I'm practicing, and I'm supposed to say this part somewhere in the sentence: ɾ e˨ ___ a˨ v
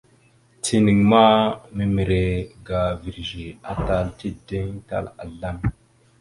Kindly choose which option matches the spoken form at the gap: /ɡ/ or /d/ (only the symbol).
ɡ